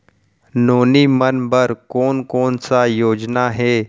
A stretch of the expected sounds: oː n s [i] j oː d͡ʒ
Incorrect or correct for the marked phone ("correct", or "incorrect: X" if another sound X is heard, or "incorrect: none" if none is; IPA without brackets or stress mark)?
incorrect: a